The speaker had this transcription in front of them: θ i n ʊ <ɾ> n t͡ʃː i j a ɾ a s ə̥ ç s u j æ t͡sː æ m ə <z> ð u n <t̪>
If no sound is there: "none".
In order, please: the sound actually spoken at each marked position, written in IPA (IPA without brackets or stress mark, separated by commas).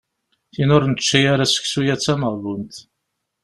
ɾ, ʁ, t̪